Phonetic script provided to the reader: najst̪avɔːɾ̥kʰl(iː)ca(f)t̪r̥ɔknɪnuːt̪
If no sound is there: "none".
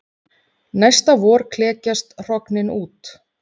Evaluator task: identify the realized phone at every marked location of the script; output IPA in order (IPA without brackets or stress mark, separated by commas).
ɛː, s